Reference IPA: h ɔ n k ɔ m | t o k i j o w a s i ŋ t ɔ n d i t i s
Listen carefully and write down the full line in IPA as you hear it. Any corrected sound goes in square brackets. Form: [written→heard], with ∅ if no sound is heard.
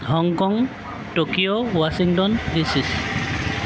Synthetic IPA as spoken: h ɔ [n→ŋ] k ɔ [m→ŋ] | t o k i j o w a s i ŋ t ɔ n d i [t→s] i s